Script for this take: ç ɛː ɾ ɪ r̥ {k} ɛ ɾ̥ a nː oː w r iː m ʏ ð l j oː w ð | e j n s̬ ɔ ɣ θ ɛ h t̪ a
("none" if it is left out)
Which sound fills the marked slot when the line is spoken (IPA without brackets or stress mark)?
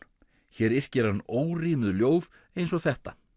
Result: c